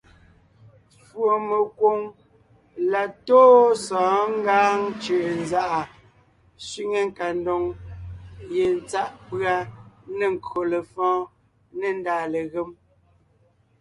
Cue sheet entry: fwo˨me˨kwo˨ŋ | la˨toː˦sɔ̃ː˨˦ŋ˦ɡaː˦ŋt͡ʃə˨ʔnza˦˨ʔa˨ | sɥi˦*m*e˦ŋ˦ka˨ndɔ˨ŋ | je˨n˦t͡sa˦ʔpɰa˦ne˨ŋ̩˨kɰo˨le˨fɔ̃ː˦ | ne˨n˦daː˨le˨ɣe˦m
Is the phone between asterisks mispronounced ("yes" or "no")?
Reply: yes